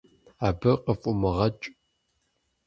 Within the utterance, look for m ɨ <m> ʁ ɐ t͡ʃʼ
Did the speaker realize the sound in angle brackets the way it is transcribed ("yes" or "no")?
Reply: no